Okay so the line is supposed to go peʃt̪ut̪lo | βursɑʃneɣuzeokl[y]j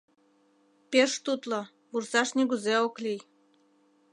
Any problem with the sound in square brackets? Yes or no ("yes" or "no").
yes